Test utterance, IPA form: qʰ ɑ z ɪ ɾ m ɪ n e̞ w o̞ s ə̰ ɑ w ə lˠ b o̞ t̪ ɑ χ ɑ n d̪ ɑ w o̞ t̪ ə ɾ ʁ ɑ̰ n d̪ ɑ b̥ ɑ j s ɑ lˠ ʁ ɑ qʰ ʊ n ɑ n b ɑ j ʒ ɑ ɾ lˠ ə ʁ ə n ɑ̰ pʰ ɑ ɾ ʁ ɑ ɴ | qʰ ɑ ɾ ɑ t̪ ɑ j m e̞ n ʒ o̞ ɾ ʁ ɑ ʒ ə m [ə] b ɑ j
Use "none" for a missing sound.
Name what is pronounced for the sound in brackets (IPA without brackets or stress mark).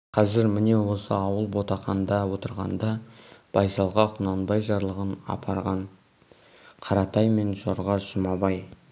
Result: ɑ